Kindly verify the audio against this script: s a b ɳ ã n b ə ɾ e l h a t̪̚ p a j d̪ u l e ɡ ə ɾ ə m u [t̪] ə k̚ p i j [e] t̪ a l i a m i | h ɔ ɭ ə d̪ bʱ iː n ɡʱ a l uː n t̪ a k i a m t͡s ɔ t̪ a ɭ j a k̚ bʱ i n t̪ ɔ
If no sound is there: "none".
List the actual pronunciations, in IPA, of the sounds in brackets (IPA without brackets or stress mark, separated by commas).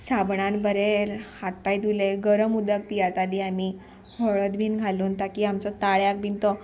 d̪, a